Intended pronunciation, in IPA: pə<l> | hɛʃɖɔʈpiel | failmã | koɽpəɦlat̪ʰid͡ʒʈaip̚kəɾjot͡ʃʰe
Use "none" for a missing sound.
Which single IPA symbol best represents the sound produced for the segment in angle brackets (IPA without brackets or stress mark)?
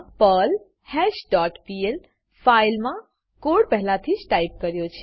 l